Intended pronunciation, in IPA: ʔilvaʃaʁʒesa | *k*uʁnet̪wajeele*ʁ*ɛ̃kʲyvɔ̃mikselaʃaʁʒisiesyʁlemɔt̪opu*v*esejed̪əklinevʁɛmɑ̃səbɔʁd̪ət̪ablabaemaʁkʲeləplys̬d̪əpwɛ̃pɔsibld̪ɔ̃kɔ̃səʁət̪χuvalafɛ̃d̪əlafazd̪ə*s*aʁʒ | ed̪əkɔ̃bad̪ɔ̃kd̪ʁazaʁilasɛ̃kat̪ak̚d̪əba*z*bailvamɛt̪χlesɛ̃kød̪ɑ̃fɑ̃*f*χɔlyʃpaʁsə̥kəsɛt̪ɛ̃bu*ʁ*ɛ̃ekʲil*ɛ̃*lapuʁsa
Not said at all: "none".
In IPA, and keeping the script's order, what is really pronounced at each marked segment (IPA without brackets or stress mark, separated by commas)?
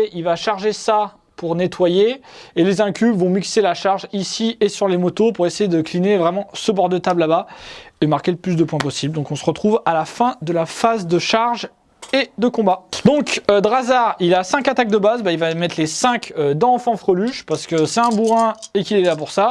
p, z, ʁ, ʃ, z, f, ʁ, ɛ